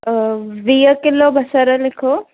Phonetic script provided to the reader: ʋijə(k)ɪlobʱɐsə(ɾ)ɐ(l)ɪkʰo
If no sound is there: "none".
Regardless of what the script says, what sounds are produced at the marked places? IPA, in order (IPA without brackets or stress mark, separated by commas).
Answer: k, ɾ, l